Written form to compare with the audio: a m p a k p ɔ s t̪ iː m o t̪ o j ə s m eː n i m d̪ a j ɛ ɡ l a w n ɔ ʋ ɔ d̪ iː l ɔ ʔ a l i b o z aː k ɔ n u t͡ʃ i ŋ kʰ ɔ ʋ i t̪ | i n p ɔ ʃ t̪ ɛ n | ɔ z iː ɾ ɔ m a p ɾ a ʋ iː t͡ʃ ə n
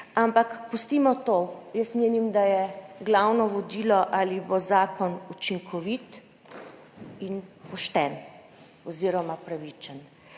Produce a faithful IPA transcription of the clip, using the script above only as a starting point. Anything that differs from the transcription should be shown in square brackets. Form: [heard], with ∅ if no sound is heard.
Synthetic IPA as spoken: a m p a k p [u] s t̪ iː m [ɔ] t̪ o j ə s m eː n i m d̪ a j ɛ ɡ l a w n ɔ ʋ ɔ d̪ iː l ɔ ʔ a l i b o z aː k ɔ n u t͡ʃ i ŋ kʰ ɔ ʋ i t̪ | i n p ɔ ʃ t̪ ɛ n | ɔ z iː ɾ ɔ m a p ɾ a ʋ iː t͡ʃ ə n